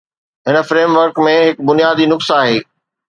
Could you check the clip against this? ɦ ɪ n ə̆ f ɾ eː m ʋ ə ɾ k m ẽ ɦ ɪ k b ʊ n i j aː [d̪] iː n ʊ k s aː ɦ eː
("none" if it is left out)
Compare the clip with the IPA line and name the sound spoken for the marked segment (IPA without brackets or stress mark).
d̪